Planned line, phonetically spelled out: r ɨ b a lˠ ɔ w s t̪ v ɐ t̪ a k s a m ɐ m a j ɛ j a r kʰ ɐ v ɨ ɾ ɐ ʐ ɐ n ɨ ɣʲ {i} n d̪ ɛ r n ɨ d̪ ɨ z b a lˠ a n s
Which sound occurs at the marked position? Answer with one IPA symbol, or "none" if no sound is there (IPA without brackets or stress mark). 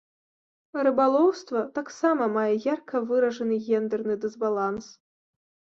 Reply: ɛ